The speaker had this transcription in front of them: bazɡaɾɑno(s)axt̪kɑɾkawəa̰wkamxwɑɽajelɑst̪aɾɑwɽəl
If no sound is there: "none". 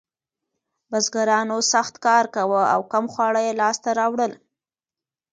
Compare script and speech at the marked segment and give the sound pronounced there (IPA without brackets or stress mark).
s